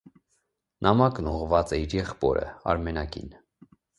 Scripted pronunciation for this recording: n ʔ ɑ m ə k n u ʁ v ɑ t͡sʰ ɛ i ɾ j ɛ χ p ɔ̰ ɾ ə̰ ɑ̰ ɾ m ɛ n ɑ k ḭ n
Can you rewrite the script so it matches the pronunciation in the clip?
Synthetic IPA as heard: n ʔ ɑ m ɑ k n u ʁ v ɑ t͡s ɛ i ɾ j ɛ χ p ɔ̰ ɾ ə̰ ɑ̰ ɾ m ɛ n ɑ k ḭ n

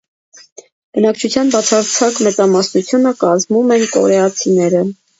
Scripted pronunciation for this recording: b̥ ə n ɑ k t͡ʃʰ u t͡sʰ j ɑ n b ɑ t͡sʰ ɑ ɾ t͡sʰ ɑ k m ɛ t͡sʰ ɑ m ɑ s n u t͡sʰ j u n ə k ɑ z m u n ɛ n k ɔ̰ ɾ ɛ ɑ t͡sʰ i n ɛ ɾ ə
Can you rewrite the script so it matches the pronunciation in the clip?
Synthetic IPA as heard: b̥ ə n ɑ k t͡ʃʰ u t͡sʰ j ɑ n b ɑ t͡sʰ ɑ ɾ t͡sʰ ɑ k m ɛ t͡s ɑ m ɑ s n u t͡sʰ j u n ə k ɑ z m u m ɛ n k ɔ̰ ɾ ɛ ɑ t͡sʰ i n ɛ ɾ ə

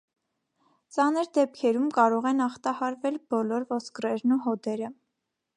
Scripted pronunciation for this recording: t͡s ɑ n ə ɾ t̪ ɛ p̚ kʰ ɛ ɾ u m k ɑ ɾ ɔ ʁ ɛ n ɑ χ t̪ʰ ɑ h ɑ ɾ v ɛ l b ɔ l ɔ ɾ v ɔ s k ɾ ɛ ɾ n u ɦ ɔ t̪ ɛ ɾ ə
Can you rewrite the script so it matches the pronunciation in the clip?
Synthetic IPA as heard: t͡s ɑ n ə ɾ d̪ ɛ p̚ kʰ ɛ ɾ u m k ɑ ɾ ɔ ʁ ɛ n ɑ χ t̪ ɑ h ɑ ɾ v ɛ l b ɔ l ɔ ɾ v ɔ s k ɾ ɛ ɾ n u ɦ ɔ d̪ ɛ ɾ ə

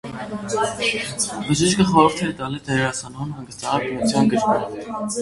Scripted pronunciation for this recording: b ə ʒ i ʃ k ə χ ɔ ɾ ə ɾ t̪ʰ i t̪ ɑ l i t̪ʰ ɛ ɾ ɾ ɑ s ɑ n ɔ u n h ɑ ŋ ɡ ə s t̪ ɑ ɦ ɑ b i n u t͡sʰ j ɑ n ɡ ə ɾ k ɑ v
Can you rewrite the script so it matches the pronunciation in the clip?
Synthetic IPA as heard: b ə ʒ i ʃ k ə χ ɔ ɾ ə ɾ t̪ʰ ɛ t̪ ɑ l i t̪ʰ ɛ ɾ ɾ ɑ s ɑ n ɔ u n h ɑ ŋ ɡ ə s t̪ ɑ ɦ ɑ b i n u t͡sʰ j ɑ n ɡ ə ɾ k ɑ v

